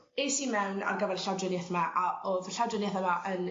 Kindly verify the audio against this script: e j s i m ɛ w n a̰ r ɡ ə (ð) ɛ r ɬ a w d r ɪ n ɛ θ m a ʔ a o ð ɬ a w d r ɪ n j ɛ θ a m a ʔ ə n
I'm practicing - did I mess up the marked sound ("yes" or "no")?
yes